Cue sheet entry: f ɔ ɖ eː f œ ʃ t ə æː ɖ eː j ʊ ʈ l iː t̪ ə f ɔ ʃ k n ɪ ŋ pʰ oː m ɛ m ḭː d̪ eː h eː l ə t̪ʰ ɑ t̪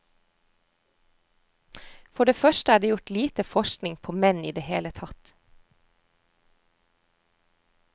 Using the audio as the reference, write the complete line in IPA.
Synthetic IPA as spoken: f ɔ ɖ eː f œ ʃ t ə æː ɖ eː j ʊ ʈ l iː t̪ ə f ɔ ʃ k n ɪ ŋ pʰ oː m ɛ n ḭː d̪ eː h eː l ə t̪ʰ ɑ t̪

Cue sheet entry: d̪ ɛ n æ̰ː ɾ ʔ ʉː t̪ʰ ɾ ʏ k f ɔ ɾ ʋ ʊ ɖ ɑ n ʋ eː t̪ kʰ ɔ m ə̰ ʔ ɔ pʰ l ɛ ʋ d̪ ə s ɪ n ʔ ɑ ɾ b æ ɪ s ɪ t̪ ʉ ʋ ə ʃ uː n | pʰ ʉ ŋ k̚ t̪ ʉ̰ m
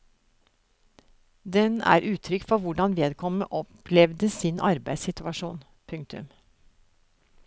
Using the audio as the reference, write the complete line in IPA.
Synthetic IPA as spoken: d̪ ɛ n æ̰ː ɾ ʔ ʉː t̪ʰ ɾ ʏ k f ɔ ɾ ʋ ʊ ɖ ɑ n ʋ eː d̪ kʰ ɔ m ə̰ ʔ ɔ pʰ l ɛ ʋ d̪ ə s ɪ n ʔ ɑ ɾ b æ ɪ s ɪ t̪ ʉ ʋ ɑ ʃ uː n | pʰ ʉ ŋ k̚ t̪ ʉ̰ m

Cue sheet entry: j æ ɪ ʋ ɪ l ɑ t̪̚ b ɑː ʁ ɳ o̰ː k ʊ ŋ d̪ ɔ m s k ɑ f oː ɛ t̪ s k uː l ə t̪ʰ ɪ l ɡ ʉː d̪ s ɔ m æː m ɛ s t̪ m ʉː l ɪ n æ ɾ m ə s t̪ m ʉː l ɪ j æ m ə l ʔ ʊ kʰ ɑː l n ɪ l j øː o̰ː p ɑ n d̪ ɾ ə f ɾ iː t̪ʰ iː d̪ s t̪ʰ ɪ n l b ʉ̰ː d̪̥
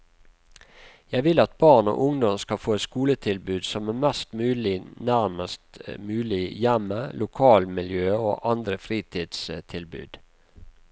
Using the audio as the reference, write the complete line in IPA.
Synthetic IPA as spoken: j æ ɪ ʋ ɪ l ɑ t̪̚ b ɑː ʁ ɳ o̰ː ʔ ʊ ŋ d̪ ɔ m s k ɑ f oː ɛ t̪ s k uː l ə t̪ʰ ɪ l b ʉː d̪ s ɔ m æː m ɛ s t̪ m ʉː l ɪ n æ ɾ m ə s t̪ m ʉː l ɪ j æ m ə l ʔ ʊ kʰ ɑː l m ɪ l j øː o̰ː ʔ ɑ n d̪ ɾ ə f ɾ iː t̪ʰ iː d̪ s t̪ʰ ɪ l b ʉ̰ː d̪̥

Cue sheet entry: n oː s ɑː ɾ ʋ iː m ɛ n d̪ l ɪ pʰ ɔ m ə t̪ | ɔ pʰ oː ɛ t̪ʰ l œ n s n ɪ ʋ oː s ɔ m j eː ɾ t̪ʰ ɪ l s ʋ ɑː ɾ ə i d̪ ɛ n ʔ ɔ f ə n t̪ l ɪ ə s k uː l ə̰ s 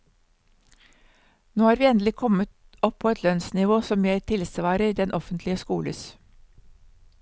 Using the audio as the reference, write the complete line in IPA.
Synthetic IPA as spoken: n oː h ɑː ɾ ʋ iː ɛ n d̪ l ɪ kʰ ɔ m ə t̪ | ɔ pʰ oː ɛ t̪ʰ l œ n s n ɪ ʋ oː s ɔ m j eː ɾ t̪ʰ ɪ l s ʋ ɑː ɾ ə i d̪ ɛ n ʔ ɔ f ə n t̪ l ɪ ə s k uː l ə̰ s

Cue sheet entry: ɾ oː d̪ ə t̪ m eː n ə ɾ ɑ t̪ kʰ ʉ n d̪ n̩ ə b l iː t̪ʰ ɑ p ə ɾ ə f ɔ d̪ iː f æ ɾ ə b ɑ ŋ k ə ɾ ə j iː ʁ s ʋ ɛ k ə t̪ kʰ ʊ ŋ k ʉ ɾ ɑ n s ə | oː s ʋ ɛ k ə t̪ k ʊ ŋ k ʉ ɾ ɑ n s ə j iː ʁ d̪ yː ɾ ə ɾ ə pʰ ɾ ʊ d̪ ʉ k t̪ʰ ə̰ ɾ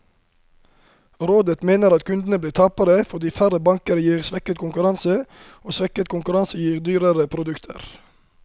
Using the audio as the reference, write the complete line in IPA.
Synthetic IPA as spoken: ɾ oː d̪ ə t̪ m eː n ə ɾ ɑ t̪ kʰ ʉ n d̪ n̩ ə b l iː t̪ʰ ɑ p ə ɾ ə f ɔ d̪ iː f æ ɾ ə b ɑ ŋ k ə ɾ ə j iː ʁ s ʋ ɛ k ə t̪ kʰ ʊ ŋ k ʉ ɾ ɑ n s ə | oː s ʋ ɛ k ə t̪ k ʊ ŋ k ʉ ɾ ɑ n s ə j iː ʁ d̪ yː ɾ ə ɾ ə pʰ ɾ ʊ d̪ ʉ k t̪ʰ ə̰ ɾ

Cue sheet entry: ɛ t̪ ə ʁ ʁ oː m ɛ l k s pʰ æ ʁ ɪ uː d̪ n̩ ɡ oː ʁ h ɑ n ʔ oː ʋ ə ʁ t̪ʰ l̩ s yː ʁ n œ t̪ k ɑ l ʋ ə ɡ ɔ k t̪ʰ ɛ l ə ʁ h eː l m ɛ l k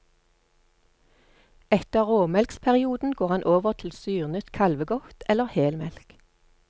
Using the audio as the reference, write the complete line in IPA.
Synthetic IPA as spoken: ɛ t̪ ə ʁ ʁ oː m ɛ l k s pʰ æ ʁ ɪ uː d̪ n̩ ɡ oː ʁ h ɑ n ʔ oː ʋ ə ʁ t̪ʰ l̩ s yː ʁ n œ t̪ kʰ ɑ l ʋ ə ɡ ɔ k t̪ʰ ɛ l ə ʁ h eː l m ɛ l k

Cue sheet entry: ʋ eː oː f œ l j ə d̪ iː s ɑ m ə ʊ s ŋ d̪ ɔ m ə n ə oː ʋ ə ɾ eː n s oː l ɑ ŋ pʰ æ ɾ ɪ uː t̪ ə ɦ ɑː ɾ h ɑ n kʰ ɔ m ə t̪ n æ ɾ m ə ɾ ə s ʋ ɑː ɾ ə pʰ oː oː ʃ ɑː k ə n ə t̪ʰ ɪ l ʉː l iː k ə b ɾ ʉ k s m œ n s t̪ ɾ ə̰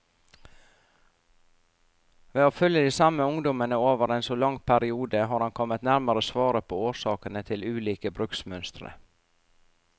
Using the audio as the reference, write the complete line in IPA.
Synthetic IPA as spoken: ʋ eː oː f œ l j ə d̪ iː s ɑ m ə ʊ ŋ d̪ ɔ m ə n ə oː ʋ ə ɾ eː n s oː l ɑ ŋ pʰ æ ɾ ɪ uː d̪ ə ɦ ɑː ɾ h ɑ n kʰ ɔ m ə t̪ n æ ɾ m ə ɾ ə s ʋ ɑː ɾ ə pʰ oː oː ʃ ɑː k ə n ə t̪ʰ ɪ l ʉː l iː k ə b ɾ ʉ k s m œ n s t̪ ɾ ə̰

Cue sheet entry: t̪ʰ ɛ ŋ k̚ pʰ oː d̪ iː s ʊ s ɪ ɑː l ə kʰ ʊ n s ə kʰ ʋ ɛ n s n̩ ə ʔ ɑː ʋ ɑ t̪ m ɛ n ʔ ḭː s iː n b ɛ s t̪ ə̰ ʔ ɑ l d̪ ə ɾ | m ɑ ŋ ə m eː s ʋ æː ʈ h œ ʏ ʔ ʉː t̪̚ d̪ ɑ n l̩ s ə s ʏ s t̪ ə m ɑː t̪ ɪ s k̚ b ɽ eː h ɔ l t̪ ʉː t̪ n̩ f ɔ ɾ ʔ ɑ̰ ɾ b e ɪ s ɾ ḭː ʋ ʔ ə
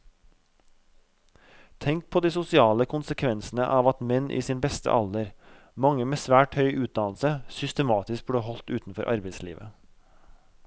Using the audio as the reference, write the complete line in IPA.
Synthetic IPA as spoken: t̪ʰ ɛ ŋ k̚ pʰ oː d̪ iː s ʊ s ɪ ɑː l ə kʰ ʊ n s ə kʰ ʋ ɛ n s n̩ ə ʔ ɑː ʋ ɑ t̪ m ɛ n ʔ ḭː s iː n b ɛ s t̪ ə̰ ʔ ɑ l d̪ ə ɾ | m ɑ ŋ ə m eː s ʋ æː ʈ h œ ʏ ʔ ʉː t̪̚ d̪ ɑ n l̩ s ə s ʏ s t̪ ə m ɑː t̪ ɪ s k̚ b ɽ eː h ɔ l t̪ ʉː t̪ n̩ f ɔ ɾ ʔ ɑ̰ ɾ b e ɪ s l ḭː ʋ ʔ ə

